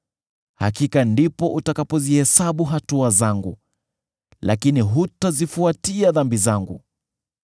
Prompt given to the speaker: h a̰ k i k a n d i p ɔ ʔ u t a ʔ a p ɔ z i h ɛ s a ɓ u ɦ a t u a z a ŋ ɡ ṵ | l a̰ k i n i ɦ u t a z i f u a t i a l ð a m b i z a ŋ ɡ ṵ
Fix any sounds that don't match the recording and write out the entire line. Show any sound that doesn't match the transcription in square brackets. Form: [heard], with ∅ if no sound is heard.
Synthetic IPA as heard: h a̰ k i k a n d i p ɔ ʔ u t a [k] a p ɔ z i h ɛ s a ɓ u ɦ a t u a z a ŋ ɡ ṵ | l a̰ k i n i ɦ u t a z i f u a t i a [∅] ð a m b i z a ŋ ɡ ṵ